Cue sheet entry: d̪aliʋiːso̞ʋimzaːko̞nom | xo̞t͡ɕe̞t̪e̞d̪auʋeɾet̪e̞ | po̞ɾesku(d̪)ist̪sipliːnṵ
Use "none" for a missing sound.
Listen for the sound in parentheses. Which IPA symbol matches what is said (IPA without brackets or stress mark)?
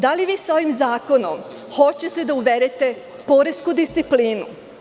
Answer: d̪